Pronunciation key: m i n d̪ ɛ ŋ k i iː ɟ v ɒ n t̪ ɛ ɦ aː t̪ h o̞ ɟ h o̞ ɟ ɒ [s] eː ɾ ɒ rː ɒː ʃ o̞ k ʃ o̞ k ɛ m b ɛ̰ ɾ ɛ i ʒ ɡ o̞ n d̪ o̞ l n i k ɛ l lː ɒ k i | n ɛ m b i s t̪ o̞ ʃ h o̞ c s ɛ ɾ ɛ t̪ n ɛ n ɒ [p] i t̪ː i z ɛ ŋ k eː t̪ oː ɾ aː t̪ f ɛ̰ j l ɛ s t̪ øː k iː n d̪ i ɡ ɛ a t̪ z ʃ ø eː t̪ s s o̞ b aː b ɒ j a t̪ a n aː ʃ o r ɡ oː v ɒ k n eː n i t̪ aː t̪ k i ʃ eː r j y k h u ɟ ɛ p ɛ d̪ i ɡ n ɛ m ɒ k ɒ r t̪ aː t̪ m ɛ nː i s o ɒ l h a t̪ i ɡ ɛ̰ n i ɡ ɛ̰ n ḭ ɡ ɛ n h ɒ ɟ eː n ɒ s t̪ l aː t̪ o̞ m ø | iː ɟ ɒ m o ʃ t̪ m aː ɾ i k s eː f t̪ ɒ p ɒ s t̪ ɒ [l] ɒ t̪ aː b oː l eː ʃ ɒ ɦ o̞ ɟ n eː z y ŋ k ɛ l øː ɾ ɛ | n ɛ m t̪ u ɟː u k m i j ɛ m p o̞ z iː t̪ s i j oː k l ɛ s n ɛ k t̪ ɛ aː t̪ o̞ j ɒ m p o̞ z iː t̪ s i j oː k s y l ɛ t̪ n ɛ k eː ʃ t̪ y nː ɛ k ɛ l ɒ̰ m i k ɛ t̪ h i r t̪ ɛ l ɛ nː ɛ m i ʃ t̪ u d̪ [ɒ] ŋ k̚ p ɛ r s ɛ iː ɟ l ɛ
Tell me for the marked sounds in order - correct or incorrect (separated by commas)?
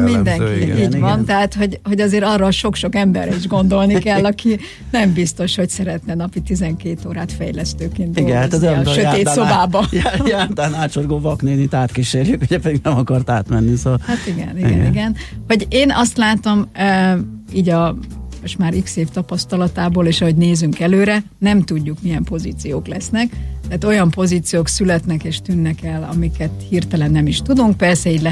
incorrect, correct, correct, incorrect